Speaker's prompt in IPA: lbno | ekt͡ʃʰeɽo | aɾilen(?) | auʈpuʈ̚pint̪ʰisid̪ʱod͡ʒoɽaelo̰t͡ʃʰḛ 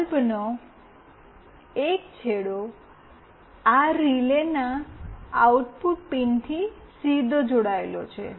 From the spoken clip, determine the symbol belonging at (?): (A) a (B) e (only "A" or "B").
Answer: A